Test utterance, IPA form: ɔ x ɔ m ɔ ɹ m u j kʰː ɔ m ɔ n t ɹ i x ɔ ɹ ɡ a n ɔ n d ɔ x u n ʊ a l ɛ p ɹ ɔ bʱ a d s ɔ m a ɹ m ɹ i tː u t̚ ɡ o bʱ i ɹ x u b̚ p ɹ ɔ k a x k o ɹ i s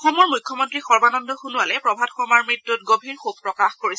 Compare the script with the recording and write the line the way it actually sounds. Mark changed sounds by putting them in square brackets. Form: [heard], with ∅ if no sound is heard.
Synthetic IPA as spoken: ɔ x ɔ m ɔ ɹ m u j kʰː ɔ m ɔ n t ɹ i x ɔ ɹ [b] a n ɔ n d ɔ x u n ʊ a l ɛ p ɹ ɔ bʱ a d [x] ɔ m a ɹ m ɹ i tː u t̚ ɡ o bʱ i ɹ x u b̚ p ɹ ɔ k a x k o ɹ i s